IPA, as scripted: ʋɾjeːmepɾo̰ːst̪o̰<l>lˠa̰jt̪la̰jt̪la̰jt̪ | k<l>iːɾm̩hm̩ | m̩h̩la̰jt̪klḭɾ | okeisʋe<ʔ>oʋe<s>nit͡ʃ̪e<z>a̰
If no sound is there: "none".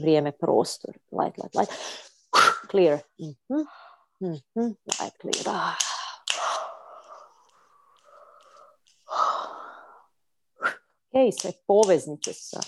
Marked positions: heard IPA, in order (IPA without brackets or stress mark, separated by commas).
ɾ, l, p, z, s